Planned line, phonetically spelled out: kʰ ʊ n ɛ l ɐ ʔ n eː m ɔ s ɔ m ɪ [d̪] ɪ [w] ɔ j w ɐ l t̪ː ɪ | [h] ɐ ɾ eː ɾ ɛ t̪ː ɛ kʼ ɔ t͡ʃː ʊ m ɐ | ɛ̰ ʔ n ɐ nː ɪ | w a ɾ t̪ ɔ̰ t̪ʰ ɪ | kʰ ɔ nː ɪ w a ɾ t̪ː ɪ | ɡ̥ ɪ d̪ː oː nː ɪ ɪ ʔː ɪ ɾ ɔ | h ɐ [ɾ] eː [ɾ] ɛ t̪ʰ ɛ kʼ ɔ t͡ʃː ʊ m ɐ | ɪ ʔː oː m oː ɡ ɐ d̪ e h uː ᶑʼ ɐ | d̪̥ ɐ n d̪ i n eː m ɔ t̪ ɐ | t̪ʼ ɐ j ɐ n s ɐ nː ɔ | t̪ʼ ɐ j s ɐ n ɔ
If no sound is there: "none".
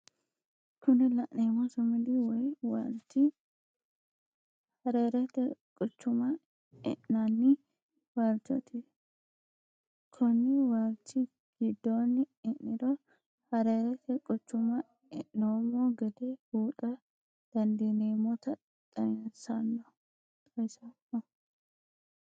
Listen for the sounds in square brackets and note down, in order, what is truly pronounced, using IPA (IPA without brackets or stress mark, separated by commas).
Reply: d̪, w, h, ɾ, ɾ